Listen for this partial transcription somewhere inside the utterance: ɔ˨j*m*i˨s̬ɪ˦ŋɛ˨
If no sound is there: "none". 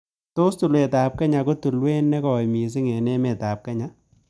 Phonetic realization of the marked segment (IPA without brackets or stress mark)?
m